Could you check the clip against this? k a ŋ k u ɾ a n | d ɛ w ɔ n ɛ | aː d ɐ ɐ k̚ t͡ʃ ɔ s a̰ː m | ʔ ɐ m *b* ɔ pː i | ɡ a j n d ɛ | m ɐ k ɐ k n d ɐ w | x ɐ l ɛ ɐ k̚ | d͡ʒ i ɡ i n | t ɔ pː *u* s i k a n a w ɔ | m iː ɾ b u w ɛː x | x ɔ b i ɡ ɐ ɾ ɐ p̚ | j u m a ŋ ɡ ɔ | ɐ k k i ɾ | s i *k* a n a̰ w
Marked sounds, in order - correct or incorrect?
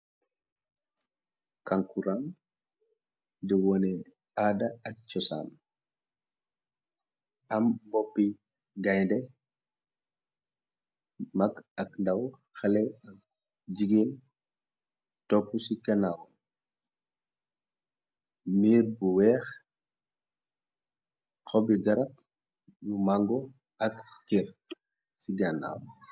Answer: correct, correct, incorrect

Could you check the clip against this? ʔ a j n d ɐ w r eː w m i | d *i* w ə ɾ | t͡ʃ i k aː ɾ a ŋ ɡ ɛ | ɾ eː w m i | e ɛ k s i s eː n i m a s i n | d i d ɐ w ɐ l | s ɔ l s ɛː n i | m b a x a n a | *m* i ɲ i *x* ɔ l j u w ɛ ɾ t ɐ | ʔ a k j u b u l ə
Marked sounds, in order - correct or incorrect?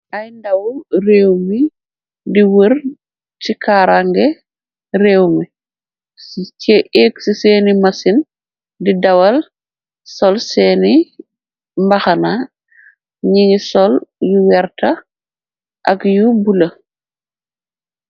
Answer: correct, incorrect, incorrect

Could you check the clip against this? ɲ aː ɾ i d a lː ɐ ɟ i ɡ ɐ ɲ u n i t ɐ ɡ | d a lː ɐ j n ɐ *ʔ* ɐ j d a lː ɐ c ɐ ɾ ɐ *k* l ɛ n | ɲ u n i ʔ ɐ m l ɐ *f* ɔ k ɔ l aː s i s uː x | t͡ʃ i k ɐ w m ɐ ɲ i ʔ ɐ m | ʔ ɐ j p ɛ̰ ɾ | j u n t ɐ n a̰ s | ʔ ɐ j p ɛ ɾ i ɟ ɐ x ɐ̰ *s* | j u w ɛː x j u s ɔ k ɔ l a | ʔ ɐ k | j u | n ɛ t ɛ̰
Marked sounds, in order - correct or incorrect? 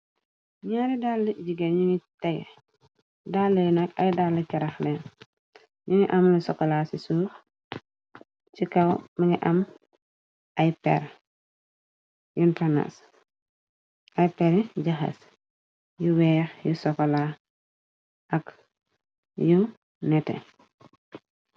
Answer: incorrect, incorrect, incorrect, correct

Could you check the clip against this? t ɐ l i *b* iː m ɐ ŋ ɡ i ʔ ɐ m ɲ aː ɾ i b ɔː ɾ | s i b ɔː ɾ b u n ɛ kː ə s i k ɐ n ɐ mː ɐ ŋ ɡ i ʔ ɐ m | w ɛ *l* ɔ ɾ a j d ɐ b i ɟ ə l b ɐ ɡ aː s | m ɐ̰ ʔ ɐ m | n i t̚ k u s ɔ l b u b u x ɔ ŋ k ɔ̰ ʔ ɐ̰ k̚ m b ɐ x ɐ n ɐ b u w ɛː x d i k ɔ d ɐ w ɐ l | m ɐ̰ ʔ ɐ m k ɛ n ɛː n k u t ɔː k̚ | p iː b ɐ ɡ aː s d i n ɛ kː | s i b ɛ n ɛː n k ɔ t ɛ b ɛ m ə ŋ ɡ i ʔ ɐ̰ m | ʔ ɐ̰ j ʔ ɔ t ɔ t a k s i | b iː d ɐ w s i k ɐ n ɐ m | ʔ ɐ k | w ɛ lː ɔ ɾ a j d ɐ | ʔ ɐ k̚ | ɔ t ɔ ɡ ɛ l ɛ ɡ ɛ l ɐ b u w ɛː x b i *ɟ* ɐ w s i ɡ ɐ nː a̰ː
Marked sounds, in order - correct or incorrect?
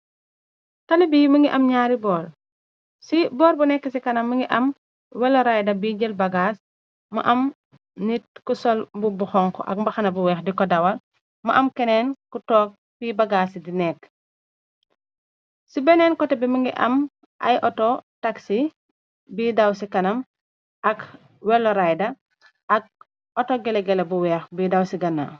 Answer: correct, correct, incorrect

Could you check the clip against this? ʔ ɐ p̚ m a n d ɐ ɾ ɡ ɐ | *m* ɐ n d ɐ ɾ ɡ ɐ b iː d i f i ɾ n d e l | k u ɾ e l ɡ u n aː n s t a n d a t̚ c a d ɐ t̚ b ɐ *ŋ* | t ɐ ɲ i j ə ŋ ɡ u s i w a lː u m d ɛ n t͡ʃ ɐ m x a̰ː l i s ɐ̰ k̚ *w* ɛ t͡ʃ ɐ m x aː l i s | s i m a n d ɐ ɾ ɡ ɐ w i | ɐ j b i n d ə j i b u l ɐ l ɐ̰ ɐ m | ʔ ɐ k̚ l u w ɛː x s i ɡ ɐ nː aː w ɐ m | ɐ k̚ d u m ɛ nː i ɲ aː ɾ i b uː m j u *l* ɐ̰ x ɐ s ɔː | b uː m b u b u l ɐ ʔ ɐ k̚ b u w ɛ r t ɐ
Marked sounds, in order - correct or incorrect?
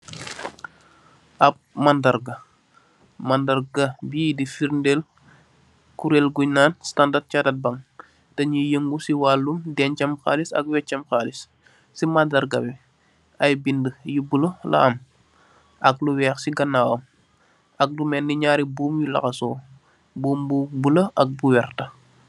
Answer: correct, correct, correct, correct

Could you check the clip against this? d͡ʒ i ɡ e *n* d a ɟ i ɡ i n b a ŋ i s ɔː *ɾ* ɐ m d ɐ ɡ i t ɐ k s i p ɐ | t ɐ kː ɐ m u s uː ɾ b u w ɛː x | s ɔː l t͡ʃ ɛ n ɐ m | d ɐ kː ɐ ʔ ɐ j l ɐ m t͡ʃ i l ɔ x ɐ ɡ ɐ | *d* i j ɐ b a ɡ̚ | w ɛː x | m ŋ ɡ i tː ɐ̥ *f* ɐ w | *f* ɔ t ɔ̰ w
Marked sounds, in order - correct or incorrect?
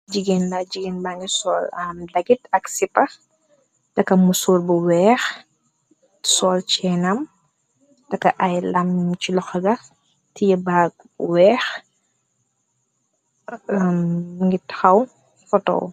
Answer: correct, incorrect, incorrect, incorrect, correct

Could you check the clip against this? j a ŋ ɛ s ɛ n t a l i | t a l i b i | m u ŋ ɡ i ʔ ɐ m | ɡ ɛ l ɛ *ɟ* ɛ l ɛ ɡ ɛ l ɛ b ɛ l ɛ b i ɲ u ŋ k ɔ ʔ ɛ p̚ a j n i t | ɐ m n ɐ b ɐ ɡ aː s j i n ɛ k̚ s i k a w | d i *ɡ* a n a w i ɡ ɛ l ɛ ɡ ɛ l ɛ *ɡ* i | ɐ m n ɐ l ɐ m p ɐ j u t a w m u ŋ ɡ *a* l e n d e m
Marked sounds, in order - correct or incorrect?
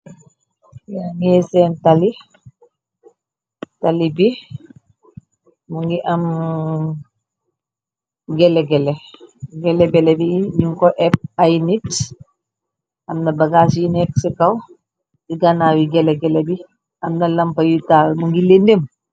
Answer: incorrect, correct, incorrect, incorrect

